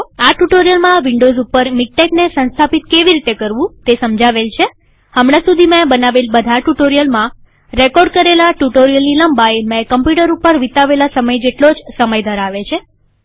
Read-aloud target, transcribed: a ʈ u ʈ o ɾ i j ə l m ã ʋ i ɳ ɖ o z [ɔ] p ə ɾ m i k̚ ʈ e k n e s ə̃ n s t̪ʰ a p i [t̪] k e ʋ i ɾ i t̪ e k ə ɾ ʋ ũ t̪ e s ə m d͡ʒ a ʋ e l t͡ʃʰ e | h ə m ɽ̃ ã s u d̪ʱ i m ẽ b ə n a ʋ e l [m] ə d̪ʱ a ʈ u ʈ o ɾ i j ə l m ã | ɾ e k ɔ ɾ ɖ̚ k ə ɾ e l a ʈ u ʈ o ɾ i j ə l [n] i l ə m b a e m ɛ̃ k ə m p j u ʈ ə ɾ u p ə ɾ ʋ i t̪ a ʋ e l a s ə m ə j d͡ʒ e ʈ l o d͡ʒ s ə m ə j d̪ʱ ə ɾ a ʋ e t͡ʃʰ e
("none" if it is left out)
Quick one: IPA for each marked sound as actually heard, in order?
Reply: u, t̪, b, n

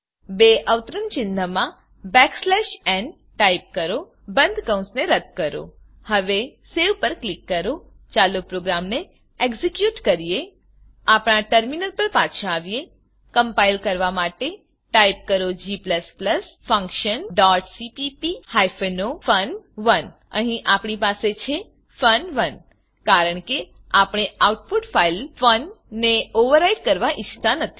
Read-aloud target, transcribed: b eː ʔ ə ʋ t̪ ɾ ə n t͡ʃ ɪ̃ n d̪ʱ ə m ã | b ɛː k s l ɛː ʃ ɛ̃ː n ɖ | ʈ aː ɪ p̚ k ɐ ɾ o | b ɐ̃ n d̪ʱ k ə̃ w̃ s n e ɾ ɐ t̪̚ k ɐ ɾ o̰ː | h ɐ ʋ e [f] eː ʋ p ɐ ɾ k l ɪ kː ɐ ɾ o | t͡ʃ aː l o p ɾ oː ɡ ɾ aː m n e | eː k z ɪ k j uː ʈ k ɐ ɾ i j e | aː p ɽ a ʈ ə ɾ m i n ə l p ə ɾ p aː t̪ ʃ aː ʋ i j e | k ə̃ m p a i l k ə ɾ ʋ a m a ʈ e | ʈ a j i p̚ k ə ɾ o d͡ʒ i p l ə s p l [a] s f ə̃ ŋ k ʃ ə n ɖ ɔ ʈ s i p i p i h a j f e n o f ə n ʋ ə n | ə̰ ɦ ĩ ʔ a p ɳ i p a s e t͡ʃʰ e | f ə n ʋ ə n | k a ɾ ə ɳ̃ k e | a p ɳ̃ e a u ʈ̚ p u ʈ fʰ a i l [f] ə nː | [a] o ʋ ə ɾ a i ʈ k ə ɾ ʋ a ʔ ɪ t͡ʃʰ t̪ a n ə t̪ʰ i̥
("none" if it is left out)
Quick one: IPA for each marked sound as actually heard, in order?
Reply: s, ə, f, e

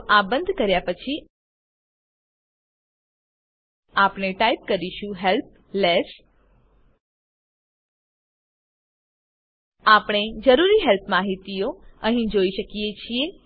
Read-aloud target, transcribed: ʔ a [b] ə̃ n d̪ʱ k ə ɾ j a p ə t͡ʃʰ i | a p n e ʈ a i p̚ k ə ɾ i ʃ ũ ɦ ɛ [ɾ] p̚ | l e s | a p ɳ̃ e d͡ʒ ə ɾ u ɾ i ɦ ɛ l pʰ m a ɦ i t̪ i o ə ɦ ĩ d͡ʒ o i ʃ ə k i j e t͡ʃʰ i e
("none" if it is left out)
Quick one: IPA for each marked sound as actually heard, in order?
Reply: b, l

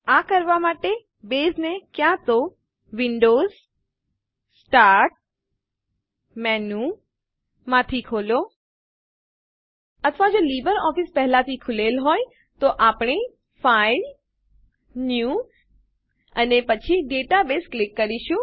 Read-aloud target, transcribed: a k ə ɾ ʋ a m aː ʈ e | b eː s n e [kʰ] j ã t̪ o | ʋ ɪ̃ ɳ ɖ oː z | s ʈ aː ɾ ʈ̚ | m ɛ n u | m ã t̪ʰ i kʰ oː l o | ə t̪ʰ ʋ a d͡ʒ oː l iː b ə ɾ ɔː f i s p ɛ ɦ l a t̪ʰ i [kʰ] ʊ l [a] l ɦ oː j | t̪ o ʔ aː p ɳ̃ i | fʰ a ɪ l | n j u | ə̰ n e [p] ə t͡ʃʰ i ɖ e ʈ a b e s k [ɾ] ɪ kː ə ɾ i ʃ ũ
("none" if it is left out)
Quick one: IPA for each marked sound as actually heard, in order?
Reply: k, kʰ, e, p, l

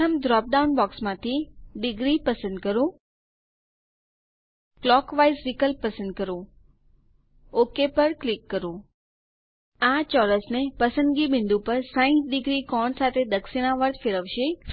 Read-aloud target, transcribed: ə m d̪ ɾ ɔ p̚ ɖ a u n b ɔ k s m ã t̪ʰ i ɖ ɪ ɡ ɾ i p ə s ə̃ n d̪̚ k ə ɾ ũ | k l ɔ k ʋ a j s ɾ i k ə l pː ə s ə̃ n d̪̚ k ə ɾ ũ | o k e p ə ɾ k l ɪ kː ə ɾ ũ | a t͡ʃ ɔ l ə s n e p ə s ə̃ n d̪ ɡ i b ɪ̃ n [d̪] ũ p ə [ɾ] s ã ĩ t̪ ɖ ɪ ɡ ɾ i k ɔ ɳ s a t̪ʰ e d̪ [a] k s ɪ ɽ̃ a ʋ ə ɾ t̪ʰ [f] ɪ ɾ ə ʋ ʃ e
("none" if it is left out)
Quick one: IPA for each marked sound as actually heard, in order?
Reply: d̪, ɾ, ə, f

